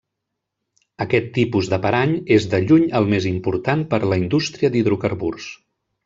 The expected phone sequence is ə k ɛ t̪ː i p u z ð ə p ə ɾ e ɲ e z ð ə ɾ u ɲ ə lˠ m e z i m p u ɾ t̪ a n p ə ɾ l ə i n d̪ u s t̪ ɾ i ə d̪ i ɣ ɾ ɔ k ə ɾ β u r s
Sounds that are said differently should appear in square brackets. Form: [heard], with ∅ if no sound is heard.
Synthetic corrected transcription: ə k ɛ t̪ː i p u z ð ə p ə ɾ [a] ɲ e z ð ə [ʎ] u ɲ ə lˠ m e z i m p u ɾ t̪ a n p ə ɾ l ə i n d̪ u s t̪ ɾ i ə d̪ i [ð] ɾ [u] k ə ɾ β u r s